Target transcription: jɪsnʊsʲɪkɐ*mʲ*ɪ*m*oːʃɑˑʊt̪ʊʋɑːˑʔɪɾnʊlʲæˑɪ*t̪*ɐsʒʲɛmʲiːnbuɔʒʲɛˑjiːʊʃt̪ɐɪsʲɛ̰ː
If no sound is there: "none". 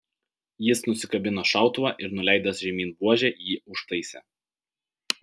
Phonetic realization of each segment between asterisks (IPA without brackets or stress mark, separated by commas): bʲ, n, d̪